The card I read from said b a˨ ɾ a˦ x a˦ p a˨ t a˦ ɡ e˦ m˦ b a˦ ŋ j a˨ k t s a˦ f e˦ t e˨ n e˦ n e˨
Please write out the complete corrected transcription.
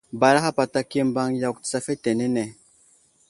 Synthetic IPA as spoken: b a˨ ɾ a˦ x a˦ p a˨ t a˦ k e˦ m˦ b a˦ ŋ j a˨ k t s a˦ f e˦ t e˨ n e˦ n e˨